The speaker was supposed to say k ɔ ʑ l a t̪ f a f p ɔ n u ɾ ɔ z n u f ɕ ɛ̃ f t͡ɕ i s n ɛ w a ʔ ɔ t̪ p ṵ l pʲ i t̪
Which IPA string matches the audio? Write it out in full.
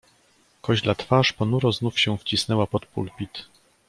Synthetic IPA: k ɔ ʑ l a t̪ f a ʂ p ɔ n u ɾ ɔ z n u f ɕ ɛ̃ f t͡ɕ i s n ɛ w a p ɔ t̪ p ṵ l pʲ i t̪